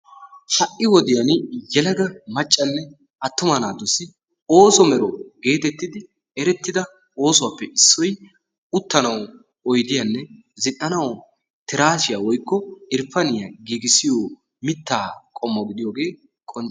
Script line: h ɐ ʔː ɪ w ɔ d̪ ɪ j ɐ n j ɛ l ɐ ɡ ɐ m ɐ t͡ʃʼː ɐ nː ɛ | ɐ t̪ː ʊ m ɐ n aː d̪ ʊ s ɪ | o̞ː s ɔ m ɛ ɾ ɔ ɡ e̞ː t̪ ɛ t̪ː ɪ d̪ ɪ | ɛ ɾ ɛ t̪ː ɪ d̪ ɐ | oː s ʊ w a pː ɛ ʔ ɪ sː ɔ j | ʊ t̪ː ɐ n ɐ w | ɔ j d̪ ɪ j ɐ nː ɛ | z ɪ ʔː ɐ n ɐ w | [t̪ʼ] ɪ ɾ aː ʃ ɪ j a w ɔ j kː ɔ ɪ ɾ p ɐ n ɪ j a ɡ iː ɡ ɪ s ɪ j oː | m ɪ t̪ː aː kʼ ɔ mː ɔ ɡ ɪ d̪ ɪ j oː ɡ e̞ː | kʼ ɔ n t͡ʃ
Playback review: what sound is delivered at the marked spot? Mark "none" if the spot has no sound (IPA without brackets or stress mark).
t̪